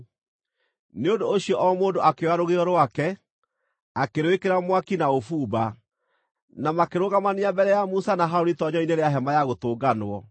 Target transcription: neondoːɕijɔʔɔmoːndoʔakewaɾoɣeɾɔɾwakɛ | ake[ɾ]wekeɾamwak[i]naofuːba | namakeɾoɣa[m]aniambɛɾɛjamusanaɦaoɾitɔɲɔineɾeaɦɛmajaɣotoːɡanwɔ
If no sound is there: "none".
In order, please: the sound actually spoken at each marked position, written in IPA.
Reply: ɾ, i, m

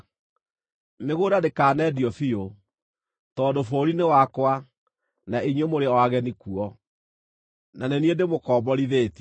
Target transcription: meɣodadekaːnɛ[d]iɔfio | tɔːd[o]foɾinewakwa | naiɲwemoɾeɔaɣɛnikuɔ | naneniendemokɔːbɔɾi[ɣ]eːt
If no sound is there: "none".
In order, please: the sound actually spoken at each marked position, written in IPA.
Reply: d, o, ð

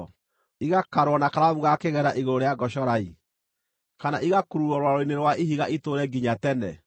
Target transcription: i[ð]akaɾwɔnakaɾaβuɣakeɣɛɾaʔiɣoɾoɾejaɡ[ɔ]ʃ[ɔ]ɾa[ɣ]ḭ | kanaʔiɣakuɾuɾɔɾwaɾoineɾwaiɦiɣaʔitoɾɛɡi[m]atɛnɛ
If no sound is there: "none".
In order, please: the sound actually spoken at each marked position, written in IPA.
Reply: ɣ, ɔ, ɔ, none, ɲ

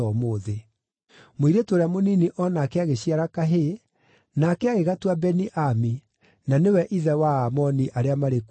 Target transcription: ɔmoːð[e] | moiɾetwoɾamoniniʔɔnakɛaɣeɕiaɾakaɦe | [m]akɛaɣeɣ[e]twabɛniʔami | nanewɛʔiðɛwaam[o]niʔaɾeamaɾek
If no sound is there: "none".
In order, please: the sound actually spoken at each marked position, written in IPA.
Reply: e, n, a, ɔ

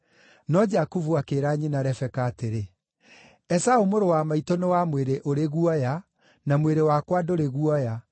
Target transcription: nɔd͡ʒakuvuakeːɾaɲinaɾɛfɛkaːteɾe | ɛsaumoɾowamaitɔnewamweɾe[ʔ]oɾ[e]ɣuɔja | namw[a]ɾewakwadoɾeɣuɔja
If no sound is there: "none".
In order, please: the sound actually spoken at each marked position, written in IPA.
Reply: ʔ, e, e

